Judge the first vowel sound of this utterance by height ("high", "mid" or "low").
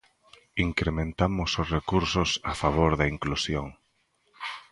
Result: high